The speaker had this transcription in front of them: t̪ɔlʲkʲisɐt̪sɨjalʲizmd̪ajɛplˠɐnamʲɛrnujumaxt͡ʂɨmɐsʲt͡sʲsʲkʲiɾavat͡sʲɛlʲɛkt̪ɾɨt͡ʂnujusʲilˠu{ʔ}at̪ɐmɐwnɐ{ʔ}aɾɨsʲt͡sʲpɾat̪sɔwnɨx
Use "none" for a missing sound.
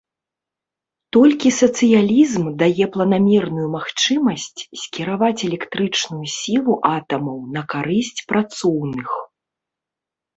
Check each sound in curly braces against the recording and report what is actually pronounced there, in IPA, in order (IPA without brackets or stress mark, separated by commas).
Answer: ʔ, k